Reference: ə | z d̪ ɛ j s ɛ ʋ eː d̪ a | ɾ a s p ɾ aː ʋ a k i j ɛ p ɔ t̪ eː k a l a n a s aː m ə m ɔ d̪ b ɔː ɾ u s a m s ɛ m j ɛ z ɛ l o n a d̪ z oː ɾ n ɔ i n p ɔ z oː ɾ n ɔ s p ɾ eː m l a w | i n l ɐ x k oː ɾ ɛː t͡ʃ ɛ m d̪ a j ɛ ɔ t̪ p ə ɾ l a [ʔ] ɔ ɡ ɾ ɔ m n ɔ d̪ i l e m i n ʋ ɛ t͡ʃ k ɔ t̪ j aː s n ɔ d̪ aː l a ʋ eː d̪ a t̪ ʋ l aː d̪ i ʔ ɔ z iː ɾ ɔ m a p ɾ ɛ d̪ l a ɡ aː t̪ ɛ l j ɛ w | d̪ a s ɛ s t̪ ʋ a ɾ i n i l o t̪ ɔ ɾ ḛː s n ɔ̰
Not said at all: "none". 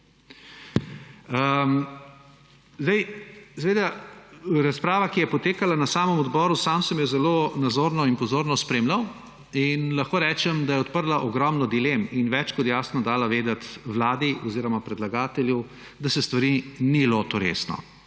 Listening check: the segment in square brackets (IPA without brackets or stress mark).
ʔ